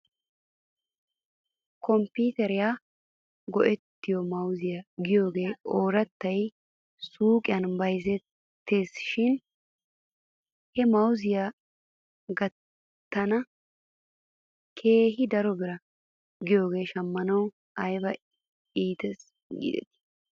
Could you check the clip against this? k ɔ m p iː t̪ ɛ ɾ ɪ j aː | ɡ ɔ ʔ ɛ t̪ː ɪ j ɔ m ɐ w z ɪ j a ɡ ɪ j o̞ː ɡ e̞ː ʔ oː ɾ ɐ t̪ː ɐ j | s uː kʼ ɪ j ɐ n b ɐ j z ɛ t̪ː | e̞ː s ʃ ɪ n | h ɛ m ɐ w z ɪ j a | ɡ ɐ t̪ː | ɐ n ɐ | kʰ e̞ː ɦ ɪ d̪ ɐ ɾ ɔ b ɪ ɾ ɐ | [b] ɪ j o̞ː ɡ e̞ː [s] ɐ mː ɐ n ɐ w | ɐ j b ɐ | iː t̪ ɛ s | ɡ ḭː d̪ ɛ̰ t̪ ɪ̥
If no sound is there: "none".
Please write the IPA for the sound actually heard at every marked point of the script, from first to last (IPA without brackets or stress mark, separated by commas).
ɡ, ʃ